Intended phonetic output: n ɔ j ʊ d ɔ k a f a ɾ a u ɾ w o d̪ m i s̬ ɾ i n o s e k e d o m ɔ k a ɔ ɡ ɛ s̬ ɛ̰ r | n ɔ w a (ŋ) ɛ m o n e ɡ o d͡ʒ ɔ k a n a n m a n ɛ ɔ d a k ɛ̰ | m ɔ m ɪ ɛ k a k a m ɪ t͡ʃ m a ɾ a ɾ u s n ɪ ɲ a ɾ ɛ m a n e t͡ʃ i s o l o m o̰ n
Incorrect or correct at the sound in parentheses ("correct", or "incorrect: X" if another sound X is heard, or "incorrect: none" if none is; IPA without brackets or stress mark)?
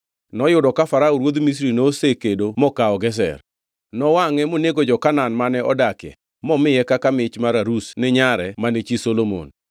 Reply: correct